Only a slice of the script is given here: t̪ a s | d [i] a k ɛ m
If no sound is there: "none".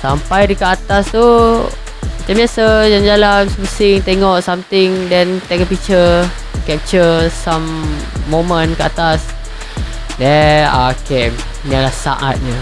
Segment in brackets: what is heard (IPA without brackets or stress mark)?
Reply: ɛ